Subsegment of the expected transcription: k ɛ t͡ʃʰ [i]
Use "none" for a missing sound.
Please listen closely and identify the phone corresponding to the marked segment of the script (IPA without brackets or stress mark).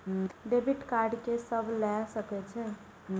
ɛ